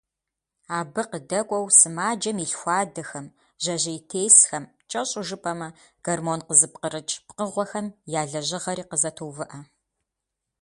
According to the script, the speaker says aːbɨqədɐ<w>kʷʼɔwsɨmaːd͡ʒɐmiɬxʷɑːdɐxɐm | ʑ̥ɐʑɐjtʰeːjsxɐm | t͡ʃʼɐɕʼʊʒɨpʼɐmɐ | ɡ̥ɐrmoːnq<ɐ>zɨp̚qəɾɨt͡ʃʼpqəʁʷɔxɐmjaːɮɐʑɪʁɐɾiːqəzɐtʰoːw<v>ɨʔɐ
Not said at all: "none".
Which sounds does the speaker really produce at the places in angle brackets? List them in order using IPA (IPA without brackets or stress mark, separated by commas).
none, ə, v